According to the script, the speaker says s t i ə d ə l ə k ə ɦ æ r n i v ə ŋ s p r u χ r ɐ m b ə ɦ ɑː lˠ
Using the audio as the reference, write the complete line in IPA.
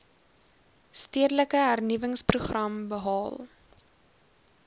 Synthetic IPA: s t i ə d ə l ə k ə ɦ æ r n i v ə ŋ s p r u χ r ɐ m b ə ɦ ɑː lˠ